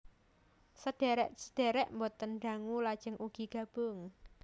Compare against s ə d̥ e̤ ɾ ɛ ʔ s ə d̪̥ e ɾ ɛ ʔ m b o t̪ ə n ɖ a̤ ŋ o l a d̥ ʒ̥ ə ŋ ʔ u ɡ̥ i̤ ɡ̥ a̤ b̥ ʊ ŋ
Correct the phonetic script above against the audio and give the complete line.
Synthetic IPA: s ə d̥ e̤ ɾ ɛ ʔ s ə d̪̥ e ɾ ɛ ʔ m b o t̪ ə n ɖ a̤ ŋ u l a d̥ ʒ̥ ə ŋ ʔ u ɡ̥ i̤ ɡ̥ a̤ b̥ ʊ ŋ